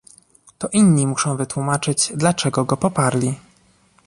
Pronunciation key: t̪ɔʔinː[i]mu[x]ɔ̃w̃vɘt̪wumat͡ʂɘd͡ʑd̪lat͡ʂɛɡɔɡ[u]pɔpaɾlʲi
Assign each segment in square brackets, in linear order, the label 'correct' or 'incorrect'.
correct, incorrect: ʂ, incorrect: ɔ

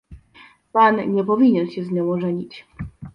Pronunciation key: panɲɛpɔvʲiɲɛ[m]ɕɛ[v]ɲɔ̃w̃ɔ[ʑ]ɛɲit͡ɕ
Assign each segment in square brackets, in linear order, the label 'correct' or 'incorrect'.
incorrect: n, incorrect: z, incorrect: ʐ

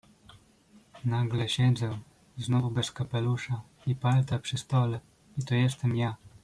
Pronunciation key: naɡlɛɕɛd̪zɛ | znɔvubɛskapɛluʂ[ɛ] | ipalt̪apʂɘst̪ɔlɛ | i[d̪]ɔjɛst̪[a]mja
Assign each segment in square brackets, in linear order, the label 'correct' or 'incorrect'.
incorrect: a, incorrect: t̪, incorrect: ɛ

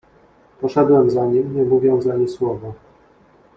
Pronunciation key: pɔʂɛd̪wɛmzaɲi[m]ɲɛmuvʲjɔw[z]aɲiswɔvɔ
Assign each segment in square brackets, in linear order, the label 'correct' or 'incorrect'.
correct, correct

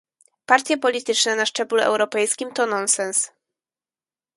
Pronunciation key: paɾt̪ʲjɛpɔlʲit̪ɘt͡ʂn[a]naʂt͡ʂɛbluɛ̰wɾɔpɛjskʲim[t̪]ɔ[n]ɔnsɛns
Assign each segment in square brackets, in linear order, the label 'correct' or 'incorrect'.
incorrect: ɛ, correct, correct

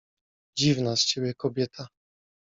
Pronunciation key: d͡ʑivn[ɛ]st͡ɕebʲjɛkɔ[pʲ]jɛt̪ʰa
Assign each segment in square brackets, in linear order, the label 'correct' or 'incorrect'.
incorrect: a, incorrect: bʲ

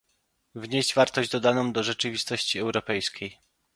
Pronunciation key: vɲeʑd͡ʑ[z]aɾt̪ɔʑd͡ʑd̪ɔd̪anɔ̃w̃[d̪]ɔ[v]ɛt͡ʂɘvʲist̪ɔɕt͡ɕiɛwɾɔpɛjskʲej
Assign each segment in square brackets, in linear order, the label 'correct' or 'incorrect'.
incorrect: v, correct, incorrect: ʐ

